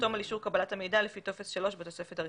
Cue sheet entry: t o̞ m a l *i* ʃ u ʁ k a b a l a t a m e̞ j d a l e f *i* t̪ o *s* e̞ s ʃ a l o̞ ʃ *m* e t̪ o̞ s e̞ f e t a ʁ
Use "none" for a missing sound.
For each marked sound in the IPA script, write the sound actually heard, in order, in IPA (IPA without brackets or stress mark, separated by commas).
i, i, f, b